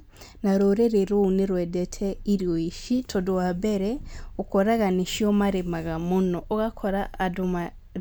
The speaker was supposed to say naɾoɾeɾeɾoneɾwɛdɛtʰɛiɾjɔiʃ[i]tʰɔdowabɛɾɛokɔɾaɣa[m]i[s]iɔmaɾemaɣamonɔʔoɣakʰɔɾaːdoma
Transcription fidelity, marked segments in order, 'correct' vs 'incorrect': correct, incorrect, incorrect

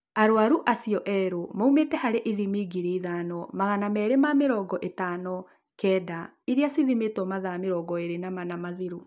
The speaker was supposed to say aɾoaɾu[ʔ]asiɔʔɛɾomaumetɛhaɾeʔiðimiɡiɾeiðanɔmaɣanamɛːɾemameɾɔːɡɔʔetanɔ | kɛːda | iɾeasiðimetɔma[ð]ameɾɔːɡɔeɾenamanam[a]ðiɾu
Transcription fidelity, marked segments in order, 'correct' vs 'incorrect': correct, correct, correct

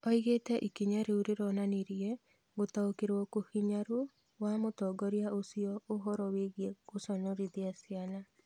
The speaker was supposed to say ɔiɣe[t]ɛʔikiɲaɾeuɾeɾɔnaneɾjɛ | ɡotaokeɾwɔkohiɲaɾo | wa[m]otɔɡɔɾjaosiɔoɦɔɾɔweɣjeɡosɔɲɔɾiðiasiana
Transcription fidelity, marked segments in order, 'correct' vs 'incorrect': correct, correct

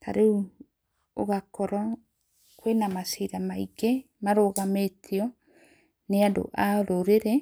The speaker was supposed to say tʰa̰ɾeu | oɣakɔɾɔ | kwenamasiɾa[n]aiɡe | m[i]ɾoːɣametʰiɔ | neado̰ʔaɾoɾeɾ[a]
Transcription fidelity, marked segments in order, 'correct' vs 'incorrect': incorrect, incorrect, incorrect

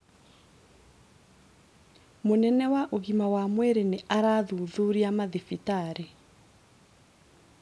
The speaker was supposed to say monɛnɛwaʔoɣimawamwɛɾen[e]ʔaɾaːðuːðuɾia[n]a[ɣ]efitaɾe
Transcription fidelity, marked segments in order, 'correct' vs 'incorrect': correct, incorrect, incorrect

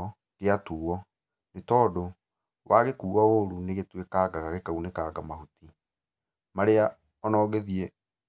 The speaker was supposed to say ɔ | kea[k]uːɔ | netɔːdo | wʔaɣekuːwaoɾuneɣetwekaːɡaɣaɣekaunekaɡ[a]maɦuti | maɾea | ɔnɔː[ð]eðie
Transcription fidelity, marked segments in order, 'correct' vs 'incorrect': incorrect, correct, incorrect

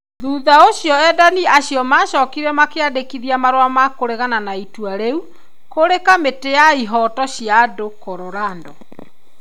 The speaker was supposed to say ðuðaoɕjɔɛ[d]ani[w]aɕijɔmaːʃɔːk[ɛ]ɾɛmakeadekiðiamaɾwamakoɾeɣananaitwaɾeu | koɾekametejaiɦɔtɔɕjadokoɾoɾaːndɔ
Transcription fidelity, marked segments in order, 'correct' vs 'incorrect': correct, incorrect, incorrect

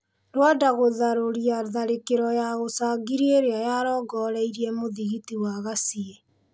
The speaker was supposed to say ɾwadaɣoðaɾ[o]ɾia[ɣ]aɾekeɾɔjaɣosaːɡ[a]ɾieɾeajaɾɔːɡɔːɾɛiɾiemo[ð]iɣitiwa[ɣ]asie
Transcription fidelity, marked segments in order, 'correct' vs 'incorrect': correct, incorrect, incorrect, correct, correct

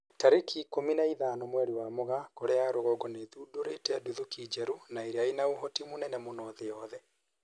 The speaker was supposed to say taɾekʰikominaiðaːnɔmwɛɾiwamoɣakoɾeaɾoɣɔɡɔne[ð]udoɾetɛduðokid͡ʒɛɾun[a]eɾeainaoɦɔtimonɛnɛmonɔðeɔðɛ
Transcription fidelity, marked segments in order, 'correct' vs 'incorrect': correct, correct

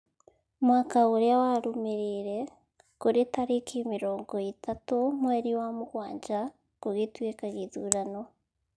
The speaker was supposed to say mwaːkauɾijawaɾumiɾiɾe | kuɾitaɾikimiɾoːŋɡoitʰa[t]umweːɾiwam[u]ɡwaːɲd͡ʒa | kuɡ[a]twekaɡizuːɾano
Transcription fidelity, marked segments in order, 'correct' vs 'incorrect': correct, correct, incorrect

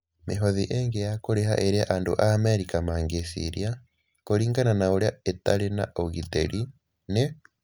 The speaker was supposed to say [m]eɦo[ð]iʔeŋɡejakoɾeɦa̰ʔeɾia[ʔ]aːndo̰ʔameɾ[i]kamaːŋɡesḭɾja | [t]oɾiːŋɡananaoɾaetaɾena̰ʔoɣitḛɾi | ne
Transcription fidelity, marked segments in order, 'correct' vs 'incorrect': correct, correct, correct, correct, incorrect

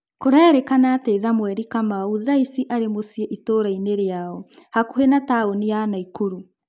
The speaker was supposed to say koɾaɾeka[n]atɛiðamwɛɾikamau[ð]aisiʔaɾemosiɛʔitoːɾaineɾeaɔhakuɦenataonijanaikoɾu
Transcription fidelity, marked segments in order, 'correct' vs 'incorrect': correct, correct

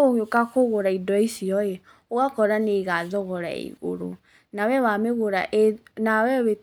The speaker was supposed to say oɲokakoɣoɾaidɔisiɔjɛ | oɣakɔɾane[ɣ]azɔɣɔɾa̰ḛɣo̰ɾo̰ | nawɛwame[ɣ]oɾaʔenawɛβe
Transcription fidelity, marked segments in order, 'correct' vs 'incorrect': correct, correct

